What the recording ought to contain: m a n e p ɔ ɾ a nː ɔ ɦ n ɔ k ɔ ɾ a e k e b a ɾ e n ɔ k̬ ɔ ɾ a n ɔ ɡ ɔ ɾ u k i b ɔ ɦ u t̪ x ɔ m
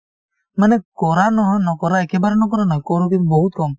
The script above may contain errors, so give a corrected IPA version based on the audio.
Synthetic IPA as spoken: m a n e k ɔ ɾ a n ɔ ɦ n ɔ k ɔ ɾ a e k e b a ɾ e n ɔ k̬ ɔ ɾ a n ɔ k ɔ ɾ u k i b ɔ ɦ u t̪ k ɔ m

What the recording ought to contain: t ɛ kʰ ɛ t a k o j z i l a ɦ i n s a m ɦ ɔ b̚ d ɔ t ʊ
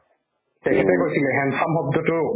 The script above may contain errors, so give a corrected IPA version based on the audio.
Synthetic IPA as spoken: t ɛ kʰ ɛ t ɛ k o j s i l ɛ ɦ ɛ n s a m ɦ ɔ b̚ d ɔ t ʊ

